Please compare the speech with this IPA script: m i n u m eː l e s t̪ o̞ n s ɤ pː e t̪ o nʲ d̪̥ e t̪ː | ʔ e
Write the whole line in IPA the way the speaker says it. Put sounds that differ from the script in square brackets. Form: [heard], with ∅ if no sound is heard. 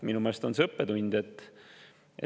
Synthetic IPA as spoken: m i n u m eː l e s t̪ o̞ n s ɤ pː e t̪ [u] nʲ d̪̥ e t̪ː | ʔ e